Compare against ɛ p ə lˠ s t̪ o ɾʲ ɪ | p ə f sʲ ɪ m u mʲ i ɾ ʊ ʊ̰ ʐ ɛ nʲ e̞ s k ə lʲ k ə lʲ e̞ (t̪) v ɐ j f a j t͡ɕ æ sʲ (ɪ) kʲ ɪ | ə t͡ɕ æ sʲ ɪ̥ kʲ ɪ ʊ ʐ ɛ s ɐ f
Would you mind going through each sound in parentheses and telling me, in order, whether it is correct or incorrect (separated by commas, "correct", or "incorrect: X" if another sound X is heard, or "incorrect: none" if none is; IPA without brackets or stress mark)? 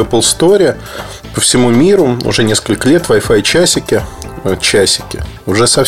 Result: correct, correct